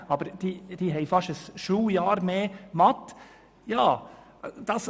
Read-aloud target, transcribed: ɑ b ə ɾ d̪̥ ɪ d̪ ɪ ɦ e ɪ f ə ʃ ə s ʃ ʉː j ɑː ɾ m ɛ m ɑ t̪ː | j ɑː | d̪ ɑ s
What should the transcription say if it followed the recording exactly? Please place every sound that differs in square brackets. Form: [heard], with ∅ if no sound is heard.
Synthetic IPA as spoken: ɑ b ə ɾ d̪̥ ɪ d̪ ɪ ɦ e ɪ f [ɑ] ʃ ə s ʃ ʉː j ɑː ɾ m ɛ m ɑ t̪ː | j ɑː | d̪ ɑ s